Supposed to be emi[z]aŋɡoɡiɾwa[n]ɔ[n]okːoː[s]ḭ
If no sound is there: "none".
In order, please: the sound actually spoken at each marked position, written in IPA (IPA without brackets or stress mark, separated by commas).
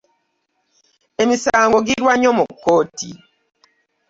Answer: s, ɲ, m, t